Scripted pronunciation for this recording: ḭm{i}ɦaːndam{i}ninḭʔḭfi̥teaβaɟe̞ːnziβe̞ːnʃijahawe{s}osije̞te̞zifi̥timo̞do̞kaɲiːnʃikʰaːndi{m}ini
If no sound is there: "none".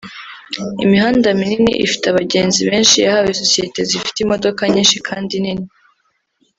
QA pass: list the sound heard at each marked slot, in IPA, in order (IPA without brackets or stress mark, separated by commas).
i, i, s, n